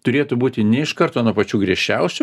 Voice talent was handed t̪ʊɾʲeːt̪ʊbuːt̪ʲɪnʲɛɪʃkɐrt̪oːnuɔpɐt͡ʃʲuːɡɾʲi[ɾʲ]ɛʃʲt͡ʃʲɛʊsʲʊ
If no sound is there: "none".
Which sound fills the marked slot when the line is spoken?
none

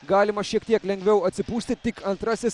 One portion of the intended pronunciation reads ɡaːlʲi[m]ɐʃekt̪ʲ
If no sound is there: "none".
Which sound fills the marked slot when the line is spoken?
m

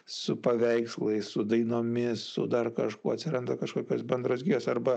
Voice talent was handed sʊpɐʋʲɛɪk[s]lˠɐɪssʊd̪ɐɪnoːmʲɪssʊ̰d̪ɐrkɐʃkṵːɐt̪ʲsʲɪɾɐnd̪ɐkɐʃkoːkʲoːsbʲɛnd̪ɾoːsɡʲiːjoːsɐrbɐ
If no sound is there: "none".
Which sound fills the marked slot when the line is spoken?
s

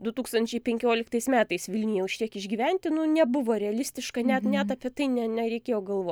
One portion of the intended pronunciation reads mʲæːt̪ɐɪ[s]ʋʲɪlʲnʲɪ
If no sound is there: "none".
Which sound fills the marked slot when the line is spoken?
s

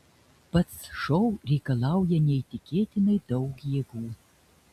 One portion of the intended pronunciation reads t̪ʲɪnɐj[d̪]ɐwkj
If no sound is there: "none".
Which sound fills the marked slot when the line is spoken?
d̪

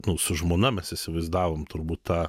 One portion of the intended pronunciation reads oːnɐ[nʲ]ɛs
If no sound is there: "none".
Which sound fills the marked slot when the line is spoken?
mʲ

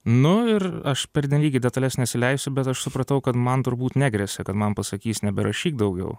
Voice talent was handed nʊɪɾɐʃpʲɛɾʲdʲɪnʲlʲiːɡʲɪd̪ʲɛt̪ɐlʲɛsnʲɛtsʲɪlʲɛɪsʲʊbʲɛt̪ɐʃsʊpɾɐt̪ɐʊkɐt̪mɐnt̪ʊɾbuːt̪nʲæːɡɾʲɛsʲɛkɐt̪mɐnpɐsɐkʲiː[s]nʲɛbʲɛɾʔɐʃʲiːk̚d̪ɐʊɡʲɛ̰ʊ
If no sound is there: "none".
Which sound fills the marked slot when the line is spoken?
s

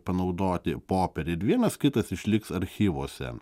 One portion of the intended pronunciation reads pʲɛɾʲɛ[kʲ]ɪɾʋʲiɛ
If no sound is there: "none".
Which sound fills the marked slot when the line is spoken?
none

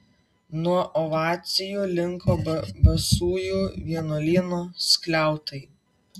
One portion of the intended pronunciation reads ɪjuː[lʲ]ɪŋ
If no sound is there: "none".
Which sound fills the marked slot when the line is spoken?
lʲ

